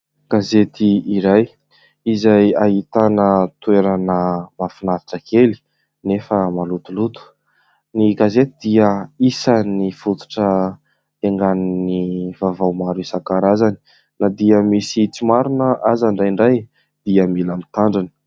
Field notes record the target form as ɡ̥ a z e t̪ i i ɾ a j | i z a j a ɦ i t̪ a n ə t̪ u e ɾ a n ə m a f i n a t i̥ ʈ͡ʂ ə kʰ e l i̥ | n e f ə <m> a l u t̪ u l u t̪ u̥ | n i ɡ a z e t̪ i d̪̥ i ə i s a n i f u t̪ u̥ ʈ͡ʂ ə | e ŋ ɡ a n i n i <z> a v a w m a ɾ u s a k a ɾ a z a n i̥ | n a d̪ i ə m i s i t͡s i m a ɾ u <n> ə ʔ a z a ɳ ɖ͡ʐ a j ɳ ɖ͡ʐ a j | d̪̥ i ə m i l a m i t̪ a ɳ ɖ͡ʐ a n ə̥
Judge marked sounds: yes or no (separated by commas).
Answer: yes, no, yes